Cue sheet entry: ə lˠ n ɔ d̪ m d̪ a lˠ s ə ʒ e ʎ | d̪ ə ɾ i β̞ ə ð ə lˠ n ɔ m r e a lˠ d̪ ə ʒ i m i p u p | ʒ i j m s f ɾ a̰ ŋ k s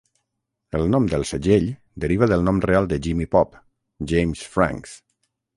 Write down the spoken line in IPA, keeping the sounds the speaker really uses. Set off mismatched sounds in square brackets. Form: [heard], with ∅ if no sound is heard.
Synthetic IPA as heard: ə lˠ n ɔ [∅] m d̪ [ə] lˠ s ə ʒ e ʎ | d̪ ə ɾ i β̞ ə ð ə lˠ n ɔ m r e a lˠ d̪ ə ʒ i m i p [ɔ] p | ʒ [e] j m s f ɾ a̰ ŋ k s